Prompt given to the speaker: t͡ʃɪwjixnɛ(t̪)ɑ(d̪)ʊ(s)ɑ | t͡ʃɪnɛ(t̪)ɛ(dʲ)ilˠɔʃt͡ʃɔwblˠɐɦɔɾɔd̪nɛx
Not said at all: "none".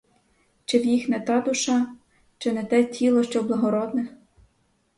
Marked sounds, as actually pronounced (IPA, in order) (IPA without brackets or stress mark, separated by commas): t̪, d̪, ʃ, t̪, tʲ